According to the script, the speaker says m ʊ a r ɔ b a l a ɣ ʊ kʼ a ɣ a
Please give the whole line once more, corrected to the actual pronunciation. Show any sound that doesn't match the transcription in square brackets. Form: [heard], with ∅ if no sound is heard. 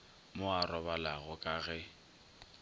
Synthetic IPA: m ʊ a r ɔ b a l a ɣ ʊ kʼ a ɣ [ɛ]